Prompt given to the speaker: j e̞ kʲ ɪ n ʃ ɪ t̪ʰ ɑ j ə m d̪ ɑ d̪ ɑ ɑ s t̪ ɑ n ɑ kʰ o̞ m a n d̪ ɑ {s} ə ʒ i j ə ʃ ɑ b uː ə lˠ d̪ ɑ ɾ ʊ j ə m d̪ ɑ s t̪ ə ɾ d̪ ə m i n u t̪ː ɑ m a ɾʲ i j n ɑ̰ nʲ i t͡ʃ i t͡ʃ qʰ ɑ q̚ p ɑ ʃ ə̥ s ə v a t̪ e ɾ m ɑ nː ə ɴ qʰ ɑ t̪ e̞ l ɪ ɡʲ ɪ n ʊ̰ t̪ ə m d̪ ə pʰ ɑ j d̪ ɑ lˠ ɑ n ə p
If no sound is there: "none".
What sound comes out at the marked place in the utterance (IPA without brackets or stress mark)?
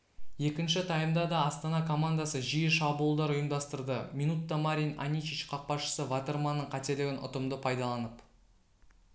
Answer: s